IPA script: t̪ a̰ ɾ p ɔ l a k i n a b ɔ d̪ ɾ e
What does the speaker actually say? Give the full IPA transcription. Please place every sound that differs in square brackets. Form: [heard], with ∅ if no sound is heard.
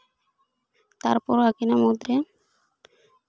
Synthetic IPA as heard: t̪ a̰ ɾ p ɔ [ɾ] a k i n a [m] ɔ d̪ ɾ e